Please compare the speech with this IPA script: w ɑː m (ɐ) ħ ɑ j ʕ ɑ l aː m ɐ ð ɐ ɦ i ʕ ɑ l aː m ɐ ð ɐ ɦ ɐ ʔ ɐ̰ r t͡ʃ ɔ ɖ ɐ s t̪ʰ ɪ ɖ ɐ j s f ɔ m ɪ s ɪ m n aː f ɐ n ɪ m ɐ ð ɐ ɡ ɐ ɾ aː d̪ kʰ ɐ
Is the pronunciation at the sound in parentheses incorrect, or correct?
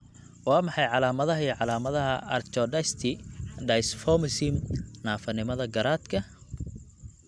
incorrect: ɑ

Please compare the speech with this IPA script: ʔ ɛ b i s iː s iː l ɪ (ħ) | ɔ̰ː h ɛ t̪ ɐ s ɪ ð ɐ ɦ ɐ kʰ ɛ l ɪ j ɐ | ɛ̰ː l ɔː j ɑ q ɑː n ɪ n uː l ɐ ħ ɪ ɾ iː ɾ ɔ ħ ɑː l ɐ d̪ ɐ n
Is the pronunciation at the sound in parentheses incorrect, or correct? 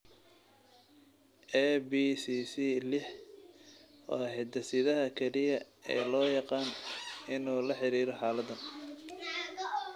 correct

